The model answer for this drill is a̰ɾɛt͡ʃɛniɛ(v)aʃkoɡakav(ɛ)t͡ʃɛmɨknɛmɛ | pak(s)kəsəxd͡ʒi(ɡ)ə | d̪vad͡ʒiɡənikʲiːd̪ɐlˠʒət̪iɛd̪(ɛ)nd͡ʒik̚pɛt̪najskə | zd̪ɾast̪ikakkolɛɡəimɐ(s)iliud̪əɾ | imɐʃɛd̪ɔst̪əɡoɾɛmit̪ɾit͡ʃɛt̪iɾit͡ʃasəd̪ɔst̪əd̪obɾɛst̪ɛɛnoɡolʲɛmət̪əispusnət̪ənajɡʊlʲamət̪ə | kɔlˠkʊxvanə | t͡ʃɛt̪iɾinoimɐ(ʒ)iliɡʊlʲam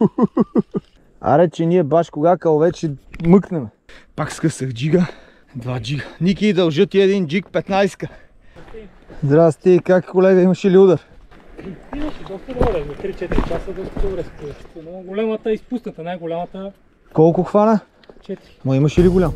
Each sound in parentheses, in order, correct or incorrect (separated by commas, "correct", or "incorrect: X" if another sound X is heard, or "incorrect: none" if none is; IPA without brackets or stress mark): incorrect: b, correct, correct, correct, incorrect: i, incorrect: ʃ, incorrect: ʃ